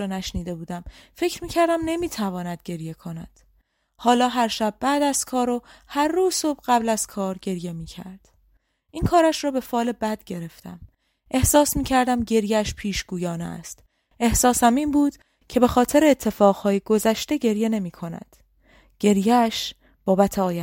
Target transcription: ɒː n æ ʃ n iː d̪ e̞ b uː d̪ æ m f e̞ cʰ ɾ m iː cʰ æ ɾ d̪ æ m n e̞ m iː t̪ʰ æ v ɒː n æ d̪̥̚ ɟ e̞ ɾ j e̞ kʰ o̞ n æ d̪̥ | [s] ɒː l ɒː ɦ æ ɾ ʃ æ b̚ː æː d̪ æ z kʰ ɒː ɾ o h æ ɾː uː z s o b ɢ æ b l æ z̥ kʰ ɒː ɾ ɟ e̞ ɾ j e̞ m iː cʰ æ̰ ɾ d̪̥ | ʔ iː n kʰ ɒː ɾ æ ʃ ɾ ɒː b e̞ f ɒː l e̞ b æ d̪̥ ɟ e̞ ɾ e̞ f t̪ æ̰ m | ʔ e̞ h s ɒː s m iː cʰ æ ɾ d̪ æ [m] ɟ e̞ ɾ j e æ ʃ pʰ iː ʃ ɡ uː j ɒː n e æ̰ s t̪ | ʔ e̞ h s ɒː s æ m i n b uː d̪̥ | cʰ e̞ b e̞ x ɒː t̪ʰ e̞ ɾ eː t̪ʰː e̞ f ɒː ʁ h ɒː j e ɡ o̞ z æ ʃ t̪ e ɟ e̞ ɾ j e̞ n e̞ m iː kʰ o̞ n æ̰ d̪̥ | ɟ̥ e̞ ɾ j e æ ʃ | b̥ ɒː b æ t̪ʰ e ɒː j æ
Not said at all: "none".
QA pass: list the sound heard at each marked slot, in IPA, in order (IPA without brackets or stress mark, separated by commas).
h, m